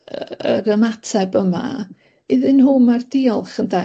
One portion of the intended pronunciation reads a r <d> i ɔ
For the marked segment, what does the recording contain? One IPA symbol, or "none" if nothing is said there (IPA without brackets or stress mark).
d